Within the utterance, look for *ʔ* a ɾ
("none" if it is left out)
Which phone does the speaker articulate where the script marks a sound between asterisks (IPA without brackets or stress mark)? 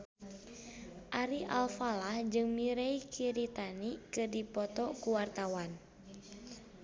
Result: ʔ